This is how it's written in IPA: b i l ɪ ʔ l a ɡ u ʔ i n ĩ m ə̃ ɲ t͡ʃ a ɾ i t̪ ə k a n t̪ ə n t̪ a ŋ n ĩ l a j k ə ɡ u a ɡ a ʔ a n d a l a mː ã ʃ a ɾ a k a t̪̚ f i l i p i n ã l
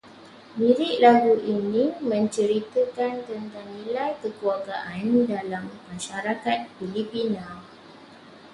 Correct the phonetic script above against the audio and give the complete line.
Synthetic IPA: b i ɾ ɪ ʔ l a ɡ u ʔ i n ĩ m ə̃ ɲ t͡ʃ ə ɾ i t̪ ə k a n t̪ ə n t̪ a ŋ n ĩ l a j k ə k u a ɡ a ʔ a n d a l a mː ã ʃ a ɾ a k a t̪̚ f i l i p i n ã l